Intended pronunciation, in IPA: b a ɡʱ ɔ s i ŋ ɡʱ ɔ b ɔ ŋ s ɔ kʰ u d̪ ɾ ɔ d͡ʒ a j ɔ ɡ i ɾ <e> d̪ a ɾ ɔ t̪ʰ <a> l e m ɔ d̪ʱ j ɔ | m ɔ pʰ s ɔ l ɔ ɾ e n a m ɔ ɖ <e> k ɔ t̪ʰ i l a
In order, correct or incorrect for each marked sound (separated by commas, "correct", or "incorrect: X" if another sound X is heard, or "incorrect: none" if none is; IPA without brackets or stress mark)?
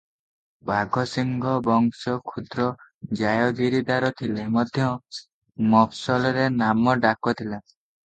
incorrect: i, incorrect: i, incorrect: a